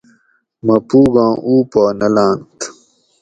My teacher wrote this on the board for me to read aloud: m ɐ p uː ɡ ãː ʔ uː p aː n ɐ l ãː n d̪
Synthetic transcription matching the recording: m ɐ p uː ɡ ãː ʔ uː p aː n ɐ l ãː n t̪